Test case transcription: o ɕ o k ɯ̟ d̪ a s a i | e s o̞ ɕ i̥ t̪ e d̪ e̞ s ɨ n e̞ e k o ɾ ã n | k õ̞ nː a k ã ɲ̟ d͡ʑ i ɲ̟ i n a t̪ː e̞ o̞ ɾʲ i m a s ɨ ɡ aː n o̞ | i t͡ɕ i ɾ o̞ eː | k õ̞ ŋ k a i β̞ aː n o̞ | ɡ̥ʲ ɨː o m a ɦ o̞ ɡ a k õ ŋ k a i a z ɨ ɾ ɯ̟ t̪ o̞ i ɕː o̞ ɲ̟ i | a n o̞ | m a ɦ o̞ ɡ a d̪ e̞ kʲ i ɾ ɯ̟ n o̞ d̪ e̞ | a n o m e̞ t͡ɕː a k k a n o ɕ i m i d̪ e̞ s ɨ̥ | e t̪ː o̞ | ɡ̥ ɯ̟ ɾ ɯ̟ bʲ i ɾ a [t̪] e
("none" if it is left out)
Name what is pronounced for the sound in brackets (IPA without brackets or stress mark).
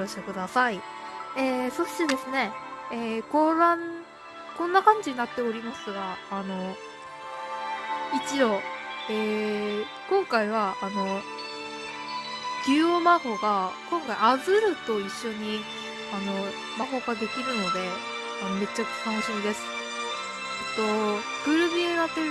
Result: t̪